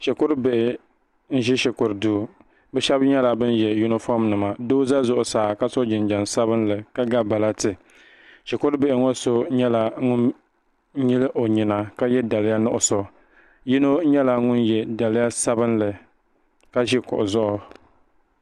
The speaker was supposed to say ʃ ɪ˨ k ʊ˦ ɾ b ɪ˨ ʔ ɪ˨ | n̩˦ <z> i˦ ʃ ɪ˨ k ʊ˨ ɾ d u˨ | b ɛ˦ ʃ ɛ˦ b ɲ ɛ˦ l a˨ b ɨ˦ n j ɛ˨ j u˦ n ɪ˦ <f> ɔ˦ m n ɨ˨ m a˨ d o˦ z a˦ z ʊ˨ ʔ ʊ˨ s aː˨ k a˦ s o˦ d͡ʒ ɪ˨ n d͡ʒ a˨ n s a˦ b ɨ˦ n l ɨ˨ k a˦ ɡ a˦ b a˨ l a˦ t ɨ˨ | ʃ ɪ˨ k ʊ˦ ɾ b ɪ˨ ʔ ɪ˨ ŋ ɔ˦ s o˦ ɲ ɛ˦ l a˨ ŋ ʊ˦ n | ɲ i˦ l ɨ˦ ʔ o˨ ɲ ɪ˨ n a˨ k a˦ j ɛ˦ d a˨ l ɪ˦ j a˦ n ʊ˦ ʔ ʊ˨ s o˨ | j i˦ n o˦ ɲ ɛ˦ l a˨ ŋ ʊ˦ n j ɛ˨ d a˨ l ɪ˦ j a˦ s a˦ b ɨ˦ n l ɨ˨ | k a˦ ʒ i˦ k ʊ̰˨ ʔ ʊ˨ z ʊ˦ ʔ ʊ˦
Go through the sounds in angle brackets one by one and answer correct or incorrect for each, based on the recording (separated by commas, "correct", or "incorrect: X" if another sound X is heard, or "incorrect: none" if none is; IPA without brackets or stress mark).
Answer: incorrect: ʒ, correct